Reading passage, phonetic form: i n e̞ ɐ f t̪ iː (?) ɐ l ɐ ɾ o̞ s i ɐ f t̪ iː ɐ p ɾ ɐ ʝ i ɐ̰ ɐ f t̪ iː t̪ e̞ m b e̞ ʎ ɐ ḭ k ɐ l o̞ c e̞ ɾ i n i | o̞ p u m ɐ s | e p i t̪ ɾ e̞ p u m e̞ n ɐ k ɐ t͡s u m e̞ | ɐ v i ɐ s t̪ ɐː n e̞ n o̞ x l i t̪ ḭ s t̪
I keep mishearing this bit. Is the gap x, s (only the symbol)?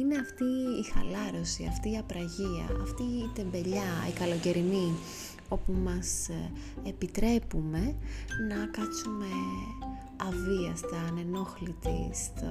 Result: x